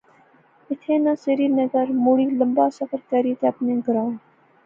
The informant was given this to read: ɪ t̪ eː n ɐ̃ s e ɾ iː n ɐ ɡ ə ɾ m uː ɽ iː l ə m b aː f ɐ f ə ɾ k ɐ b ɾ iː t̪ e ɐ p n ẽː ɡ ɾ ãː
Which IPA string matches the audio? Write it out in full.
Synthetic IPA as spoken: ɪ t̪ʰ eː n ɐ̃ s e ɾ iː n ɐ ɡ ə ɾ m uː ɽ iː l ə m b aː s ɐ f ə ɾ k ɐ ɾ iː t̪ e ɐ p n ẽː ɡ ɾ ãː

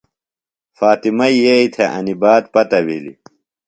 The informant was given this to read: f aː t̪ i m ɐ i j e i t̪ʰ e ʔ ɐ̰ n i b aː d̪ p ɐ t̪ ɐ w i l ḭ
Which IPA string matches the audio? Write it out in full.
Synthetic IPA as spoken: f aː t̪ i m ɐ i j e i t̪ʰ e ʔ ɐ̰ n i b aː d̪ p ɐ t̪ ɐ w i l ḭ

